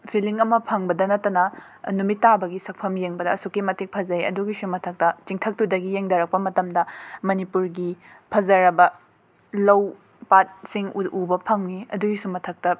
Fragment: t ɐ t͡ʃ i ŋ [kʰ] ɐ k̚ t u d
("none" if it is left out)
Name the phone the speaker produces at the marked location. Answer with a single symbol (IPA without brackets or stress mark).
tʰ